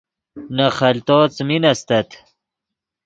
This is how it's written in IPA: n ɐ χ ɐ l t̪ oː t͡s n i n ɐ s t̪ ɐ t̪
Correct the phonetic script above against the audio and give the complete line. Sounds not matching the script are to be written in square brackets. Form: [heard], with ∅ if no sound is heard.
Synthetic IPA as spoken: n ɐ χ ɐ l t̪ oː t͡s [m] i n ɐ s t̪ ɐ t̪